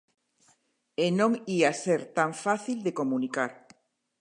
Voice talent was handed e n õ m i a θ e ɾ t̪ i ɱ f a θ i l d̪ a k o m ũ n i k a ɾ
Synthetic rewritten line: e n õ ŋ i a s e ɾ t̪ a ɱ f a θ i l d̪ e k o m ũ n i k a ɾ